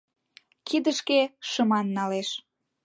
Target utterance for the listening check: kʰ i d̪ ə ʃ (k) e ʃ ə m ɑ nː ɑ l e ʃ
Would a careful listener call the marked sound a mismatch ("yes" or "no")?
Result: no